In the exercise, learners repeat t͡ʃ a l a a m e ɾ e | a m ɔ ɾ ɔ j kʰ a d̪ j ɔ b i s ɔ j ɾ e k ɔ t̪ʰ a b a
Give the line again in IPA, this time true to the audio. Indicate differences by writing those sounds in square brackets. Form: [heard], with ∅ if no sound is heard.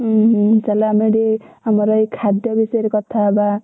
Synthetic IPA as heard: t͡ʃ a l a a m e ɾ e | a m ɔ ɾ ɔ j kʰ a d̪ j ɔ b i s ɔ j ɾ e k ɔ t̪ʰ a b a